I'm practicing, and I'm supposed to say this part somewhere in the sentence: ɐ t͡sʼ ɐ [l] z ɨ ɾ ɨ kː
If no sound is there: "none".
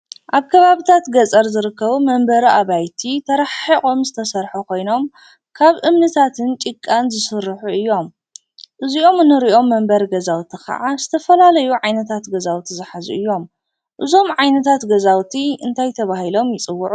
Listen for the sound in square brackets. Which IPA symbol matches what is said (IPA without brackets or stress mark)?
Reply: ɾ